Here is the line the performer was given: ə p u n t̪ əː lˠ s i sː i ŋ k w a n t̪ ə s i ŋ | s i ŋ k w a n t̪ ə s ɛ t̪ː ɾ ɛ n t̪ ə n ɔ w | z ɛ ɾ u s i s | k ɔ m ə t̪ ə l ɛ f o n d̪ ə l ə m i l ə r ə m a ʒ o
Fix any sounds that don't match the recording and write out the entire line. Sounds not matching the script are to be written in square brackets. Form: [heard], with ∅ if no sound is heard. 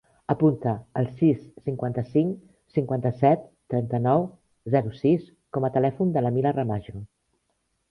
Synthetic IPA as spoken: ə p u n t̪ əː lˠ s i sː i ŋ k w a n t̪ ə s i ŋ | s i ŋ k w a n t̪ ə s ɛ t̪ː ɾ ɛ n t̪ ə n ɔ w | z ɛ ɾ u s i s | k ɔ m ə t̪ ə l ɛ f [u] n d̪ ə l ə m i l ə r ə m a ʒ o